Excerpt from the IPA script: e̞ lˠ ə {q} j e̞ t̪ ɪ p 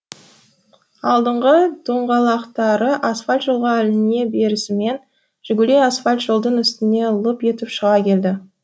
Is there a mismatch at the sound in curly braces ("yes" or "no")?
yes